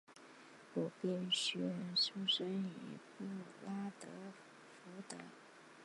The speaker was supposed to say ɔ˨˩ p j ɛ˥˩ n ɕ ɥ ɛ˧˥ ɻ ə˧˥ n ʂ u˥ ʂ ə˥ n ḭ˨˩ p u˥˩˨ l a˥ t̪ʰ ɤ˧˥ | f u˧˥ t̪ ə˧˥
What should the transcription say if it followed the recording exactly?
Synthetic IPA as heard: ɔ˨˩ p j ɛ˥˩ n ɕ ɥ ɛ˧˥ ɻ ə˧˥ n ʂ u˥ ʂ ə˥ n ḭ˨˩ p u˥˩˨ l a˥ t̪ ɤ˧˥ | f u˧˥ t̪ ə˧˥